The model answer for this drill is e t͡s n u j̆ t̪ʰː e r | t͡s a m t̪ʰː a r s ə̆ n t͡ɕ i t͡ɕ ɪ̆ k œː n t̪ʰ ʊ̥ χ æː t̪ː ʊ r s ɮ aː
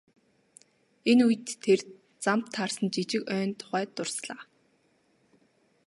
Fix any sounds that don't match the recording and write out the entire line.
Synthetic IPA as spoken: e n u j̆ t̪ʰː e r | t͡s a m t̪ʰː a r s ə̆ n t͡ɕ i t͡ɕ ɪ̆ k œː n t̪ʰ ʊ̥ χ æː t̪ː ʊ r s ɮ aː